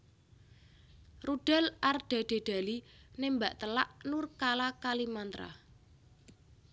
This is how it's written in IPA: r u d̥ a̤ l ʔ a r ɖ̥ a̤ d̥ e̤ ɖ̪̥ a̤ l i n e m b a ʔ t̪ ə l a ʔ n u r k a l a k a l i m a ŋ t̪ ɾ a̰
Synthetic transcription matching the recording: r u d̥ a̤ l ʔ a r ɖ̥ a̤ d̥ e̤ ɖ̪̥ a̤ l i n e m b a ʔ t̪ ə l a ʔ n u r k a l a k a l i m a n t̪ ɾ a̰